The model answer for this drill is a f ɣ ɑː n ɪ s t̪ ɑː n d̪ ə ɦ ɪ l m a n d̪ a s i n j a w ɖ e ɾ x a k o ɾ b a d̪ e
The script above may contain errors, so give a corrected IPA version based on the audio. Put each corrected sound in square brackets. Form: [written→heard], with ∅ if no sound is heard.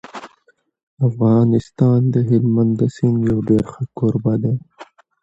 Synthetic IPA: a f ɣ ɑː n ɪ s t̪ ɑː n d̪ ə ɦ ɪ l m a n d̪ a s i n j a w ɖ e ɾ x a k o ɾ b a d̪ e